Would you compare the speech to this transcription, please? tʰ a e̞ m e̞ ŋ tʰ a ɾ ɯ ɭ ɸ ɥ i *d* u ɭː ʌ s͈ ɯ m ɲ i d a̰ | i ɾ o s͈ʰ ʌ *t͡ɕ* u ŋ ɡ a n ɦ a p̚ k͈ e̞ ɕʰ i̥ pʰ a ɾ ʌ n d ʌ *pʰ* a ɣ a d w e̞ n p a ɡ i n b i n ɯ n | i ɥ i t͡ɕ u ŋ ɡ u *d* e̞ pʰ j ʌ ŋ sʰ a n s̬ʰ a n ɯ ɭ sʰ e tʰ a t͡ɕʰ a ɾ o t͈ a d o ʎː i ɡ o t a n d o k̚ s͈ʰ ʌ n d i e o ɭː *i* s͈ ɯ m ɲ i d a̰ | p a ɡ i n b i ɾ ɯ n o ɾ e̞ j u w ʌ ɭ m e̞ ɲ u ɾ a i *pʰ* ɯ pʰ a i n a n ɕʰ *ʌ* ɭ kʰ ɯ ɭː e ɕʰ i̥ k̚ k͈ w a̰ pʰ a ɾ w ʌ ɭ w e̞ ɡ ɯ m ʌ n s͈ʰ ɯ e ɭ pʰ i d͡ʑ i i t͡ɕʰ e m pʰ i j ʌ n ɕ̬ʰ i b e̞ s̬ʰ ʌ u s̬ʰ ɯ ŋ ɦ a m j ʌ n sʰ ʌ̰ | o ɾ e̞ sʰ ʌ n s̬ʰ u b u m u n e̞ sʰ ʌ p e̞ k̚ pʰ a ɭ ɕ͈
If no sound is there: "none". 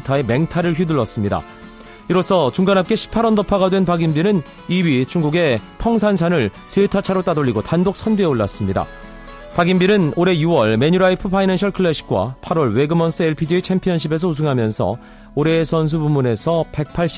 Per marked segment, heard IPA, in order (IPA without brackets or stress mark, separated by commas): d, t͡ɕ, pʰ, ɡ, a, pʰ, ʌ